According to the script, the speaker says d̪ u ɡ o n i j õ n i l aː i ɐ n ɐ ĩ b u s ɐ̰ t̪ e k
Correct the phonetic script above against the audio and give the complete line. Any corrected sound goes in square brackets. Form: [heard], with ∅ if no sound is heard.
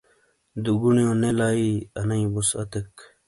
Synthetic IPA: d̪ u ɡ [u] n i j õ n [e] l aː i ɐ n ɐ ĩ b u s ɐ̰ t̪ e k